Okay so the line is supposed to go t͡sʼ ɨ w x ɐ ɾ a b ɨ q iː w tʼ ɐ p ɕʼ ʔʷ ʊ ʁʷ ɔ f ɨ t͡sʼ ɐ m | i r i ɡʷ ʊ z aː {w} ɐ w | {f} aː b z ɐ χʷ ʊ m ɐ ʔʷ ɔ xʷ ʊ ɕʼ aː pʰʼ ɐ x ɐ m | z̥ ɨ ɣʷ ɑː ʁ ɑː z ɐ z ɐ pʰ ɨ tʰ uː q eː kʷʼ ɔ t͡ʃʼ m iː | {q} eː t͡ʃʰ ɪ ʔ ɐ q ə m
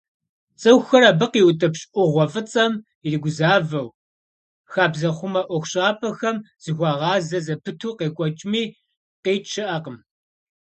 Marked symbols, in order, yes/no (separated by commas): no, no, yes